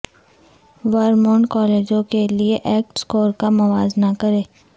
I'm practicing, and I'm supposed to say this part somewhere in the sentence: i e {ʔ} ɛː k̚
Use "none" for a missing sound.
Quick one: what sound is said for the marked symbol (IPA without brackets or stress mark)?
ʔ